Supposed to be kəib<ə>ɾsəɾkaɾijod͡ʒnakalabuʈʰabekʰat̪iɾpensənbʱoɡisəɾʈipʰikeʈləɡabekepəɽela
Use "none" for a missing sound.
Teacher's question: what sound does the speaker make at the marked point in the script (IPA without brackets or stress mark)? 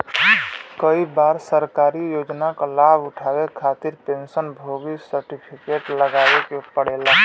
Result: a